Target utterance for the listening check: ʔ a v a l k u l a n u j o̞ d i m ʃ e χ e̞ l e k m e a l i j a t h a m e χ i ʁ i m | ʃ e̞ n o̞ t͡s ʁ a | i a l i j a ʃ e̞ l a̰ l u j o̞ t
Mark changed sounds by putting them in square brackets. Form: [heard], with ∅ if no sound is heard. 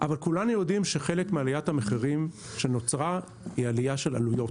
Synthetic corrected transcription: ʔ a v a l k u l a n u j o̞ d i m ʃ e χ e̞ l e k m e a l i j a t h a m e χ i ʁ i m | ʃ e̞ n o̞ t͡s ʁ a | i a l i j a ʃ e̞ l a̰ l u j o̞ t